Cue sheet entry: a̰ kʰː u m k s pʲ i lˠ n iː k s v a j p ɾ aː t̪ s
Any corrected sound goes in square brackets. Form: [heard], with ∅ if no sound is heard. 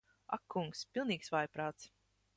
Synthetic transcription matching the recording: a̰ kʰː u [ŋ] k s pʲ i lˠ n iː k s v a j p ɾ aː t̪ s